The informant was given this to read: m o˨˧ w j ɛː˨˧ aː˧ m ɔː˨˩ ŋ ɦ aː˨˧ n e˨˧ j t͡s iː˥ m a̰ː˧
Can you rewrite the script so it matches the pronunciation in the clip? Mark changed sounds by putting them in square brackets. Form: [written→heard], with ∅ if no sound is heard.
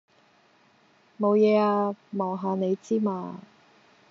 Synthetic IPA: m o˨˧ w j ɛː˨˧ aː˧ m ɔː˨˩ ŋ ɦ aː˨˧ n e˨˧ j t͡s iː˥ m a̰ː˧